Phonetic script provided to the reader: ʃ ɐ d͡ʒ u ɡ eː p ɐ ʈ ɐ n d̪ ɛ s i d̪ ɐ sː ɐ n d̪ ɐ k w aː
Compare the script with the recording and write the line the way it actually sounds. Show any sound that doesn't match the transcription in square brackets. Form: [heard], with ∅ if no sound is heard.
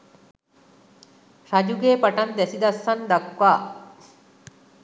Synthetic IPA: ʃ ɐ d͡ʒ u ɡ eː p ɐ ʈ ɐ n d̪ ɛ s i d̪ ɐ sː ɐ n d̪ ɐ k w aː